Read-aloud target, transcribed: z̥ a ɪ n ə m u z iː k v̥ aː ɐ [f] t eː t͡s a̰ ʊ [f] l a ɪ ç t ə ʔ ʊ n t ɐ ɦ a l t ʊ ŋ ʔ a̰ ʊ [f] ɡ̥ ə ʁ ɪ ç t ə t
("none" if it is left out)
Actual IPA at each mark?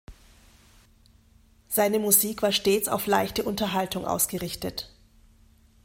ʃ, f, s

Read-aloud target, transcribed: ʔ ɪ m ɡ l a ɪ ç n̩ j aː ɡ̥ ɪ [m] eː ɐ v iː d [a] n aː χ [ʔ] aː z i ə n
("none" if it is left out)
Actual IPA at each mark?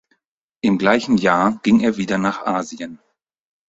ŋ, ɐ, ʔ

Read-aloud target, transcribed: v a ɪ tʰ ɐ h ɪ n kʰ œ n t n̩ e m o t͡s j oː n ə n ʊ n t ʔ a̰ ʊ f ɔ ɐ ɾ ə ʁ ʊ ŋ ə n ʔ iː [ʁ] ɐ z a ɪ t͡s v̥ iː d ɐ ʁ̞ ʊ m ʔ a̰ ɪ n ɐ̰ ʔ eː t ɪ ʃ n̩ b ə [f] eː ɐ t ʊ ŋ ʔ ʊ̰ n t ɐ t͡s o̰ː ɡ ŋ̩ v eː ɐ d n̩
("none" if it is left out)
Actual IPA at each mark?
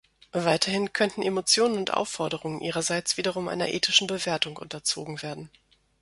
ʁ, v

